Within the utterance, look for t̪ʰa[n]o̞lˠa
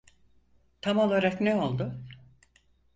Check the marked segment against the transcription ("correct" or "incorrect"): incorrect